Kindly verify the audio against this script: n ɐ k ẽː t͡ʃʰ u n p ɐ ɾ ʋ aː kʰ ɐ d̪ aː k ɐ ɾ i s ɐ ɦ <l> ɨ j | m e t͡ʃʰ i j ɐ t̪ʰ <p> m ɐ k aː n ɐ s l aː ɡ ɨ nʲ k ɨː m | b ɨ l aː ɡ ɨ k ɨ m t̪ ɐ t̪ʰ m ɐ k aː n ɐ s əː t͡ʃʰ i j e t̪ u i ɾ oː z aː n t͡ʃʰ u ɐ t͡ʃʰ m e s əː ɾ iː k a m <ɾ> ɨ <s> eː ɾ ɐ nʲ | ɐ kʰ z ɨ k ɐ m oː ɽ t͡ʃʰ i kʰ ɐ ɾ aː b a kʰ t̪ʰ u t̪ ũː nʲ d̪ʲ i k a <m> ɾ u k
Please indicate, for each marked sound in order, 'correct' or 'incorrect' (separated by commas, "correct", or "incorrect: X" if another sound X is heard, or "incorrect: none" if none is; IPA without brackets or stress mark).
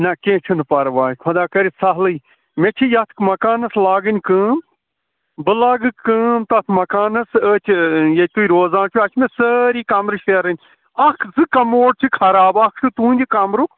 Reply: correct, incorrect: k, correct, incorrect: ʃ, correct